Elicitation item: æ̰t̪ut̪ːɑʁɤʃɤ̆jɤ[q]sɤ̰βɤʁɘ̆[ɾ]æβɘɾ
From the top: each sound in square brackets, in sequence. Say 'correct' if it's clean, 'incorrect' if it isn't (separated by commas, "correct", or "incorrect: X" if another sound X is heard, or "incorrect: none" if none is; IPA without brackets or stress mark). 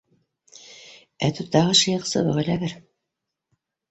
correct, incorrect: l